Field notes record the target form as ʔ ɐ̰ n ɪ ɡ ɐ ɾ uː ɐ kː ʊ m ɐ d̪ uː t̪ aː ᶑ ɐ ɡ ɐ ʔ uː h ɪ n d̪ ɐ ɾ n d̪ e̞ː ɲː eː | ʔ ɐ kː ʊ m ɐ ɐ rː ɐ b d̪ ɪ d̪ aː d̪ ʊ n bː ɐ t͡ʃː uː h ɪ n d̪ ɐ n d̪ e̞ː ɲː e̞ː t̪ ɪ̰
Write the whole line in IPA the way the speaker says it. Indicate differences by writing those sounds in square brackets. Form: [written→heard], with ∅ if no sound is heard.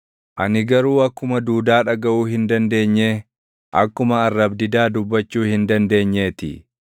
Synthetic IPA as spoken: ʔ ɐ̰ n ɪ ɡ ɐ ɾ uː ɐ kː ʊ m ɐ d̪ uː [t̪→d̪] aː ᶑ ɐ ɡ ɐ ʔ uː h ɪ n d̪ ɐ [ɾ→∅] n d̪ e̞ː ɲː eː | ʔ ɐ kː ʊ m ɐ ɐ rː ɐ b d̪ ɪ d̪ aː d̪ ʊ [n→∅] bː ɐ t͡ʃː uː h ɪ n d̪ ɐ n d̪ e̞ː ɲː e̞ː t̪ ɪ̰